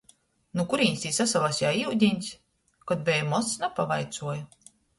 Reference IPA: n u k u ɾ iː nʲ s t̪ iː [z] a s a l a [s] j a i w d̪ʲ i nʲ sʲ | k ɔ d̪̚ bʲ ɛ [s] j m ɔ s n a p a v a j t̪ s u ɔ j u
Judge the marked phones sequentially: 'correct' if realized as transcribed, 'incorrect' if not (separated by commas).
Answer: incorrect, correct, incorrect